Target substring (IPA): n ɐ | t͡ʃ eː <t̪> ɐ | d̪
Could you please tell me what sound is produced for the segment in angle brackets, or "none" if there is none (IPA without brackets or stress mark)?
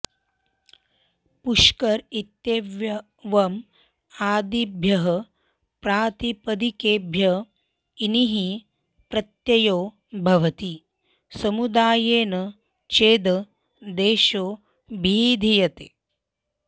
d̪